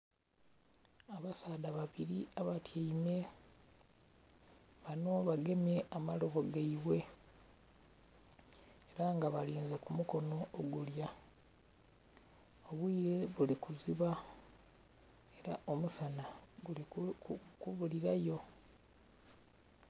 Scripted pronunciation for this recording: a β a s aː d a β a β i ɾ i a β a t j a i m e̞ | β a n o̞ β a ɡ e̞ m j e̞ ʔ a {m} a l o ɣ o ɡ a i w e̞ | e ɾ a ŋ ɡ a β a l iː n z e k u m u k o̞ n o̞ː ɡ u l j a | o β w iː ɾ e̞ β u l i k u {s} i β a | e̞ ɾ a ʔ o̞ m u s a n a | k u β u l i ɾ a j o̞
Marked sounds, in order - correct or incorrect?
correct, incorrect

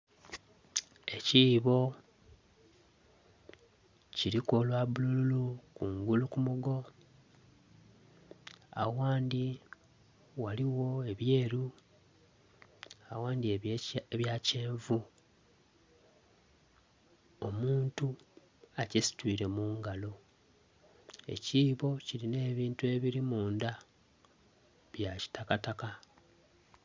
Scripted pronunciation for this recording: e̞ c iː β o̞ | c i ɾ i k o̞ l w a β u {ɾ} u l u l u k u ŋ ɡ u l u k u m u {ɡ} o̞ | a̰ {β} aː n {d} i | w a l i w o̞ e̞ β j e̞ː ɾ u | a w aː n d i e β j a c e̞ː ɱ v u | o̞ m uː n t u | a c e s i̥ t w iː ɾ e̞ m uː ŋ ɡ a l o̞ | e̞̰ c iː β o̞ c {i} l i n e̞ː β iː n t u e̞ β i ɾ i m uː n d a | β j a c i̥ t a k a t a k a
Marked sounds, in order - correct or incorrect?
incorrect, correct, incorrect, correct, correct

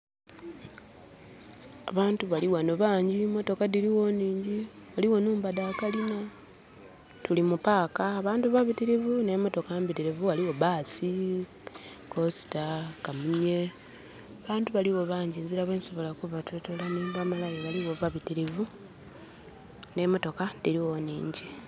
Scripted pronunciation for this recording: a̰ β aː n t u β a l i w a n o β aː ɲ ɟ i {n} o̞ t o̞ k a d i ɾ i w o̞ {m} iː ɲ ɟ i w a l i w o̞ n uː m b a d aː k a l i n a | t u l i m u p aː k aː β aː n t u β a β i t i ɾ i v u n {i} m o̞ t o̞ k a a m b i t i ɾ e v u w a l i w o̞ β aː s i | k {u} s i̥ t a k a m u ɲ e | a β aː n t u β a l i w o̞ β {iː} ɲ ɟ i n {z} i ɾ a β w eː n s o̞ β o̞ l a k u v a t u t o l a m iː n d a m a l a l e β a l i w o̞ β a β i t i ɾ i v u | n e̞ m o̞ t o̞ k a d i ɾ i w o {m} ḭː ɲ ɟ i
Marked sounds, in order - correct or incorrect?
incorrect, incorrect, incorrect, incorrect, incorrect, correct, incorrect

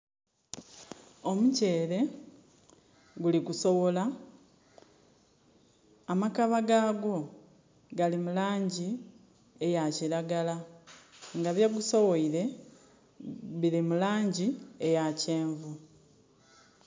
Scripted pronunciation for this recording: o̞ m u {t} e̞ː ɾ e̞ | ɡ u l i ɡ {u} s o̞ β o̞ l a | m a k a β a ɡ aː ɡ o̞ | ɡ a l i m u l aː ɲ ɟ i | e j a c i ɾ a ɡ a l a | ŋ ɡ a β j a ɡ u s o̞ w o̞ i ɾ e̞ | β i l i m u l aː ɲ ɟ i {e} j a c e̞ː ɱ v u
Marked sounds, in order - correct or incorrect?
incorrect, correct, correct

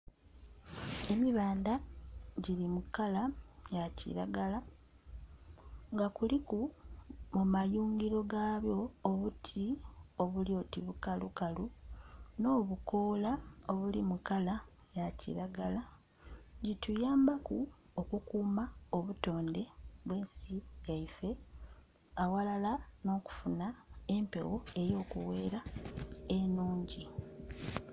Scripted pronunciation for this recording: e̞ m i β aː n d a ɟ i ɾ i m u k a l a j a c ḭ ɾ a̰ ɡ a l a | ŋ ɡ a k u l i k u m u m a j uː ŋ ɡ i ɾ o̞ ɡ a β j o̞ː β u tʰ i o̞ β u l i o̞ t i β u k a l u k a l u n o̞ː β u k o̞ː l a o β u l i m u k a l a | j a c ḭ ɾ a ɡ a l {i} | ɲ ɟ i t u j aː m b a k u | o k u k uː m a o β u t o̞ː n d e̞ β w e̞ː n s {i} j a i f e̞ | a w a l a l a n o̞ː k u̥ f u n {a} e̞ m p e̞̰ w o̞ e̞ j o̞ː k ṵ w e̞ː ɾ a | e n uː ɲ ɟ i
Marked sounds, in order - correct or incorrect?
incorrect, correct, correct

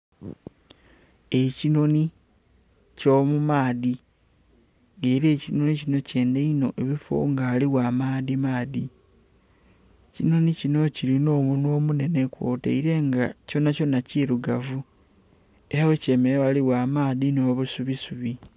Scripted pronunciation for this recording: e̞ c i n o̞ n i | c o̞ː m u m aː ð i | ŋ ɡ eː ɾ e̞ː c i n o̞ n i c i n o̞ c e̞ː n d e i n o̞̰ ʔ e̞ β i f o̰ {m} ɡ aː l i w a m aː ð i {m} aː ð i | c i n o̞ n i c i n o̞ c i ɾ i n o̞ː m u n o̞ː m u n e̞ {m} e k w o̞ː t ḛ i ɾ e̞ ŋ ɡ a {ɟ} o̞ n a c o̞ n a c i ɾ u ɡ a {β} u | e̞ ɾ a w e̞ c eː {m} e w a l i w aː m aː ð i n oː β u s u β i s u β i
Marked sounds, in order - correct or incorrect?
incorrect, correct, incorrect, incorrect, incorrect, correct

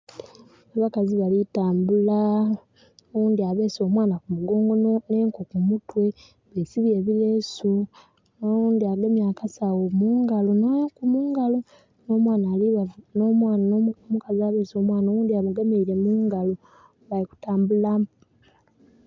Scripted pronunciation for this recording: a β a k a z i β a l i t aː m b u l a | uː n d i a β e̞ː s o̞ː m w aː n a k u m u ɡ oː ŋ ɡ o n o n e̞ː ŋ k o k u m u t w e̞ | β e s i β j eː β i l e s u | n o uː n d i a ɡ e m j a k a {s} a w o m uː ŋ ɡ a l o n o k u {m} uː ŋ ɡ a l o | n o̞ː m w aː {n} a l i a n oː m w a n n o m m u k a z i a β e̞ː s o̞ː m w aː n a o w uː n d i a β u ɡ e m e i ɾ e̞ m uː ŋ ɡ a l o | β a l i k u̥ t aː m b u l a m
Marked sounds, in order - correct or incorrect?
correct, correct, correct

